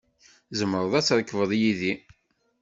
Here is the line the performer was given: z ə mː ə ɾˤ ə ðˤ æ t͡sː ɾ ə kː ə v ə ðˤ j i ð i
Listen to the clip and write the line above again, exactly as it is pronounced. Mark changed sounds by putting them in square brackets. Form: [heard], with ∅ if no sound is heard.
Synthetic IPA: z ə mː ə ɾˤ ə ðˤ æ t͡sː ɾ ə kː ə v ə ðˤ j i ð i

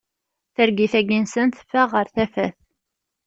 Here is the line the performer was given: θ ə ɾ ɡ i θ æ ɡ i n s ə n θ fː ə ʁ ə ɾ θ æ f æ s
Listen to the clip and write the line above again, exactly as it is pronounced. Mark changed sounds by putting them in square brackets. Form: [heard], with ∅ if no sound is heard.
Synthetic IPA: θ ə ɾ ɡ i θ æ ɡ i n s ə n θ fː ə ʁ ə ɾ θ æ f æ [θ]

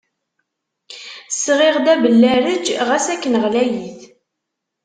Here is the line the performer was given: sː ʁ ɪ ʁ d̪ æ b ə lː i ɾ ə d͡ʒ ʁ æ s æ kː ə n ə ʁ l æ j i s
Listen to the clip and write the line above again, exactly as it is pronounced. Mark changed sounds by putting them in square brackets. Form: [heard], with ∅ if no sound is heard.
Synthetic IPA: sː ʁ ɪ ʁ d̪ æ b ə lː [æ] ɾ ə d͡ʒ ʁ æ s æ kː ə n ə ʁ l æ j i [θ]

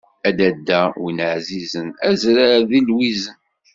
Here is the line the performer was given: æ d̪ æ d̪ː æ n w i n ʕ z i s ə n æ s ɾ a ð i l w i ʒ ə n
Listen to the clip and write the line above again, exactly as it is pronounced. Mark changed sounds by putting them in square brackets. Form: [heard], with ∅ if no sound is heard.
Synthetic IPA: æ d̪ æ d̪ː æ [∅] w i n ʕ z i [z] ə n æ [z] ɾ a ð i l w i [z] ə n

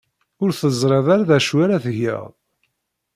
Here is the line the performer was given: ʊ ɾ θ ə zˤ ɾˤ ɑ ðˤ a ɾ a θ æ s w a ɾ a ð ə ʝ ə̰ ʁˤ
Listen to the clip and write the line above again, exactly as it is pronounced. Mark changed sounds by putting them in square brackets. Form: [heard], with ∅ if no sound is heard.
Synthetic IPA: ʊ ɾ θ ə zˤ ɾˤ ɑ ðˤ a ɾ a [ð] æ [ʃ] w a ɾ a [θ] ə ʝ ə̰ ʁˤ

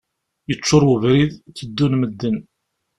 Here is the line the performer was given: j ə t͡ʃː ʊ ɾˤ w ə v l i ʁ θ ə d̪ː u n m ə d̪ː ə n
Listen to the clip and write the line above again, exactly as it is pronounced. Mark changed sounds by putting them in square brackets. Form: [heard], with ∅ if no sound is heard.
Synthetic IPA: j ə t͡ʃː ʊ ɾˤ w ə v [ɾ] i [ð] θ ə d̪ː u n m ə d̪ː ə n

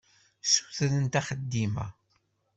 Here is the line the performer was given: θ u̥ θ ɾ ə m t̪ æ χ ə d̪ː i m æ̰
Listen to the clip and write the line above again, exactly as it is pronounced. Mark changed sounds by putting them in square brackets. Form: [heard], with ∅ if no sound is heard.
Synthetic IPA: [s] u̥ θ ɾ ə [n] t̪ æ χ ə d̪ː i m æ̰

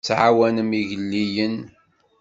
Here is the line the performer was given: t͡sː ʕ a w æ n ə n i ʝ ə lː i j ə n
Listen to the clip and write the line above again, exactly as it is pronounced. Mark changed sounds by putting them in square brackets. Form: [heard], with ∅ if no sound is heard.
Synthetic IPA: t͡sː ʕ a w æ n ə [m] i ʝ ə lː i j ə n

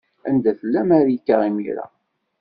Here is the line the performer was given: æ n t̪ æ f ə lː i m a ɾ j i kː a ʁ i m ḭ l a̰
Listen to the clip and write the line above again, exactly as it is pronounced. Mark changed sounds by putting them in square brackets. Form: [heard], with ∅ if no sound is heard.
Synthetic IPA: æ n [d̪] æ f ə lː [æ] m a ɾ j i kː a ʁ i m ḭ [ɾ] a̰

